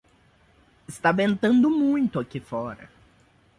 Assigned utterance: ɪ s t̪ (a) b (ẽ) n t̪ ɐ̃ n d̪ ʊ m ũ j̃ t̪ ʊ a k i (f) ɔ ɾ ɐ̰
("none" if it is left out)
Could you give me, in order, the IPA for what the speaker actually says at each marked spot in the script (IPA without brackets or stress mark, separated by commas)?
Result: a, ẽ, f